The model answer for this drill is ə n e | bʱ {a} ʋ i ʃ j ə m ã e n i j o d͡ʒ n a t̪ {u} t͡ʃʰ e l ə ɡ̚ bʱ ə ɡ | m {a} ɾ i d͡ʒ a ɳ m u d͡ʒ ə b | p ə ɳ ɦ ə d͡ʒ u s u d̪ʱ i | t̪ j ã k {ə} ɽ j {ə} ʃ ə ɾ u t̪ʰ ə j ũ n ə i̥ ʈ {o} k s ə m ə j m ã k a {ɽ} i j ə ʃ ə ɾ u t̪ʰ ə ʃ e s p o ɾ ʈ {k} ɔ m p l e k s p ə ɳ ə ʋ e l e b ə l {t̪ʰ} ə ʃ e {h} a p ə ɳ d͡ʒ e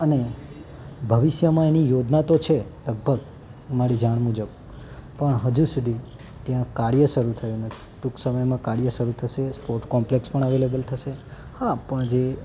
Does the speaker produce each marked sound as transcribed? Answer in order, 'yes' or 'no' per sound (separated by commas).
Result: no, no, yes, no, yes, no, yes, yes, yes, yes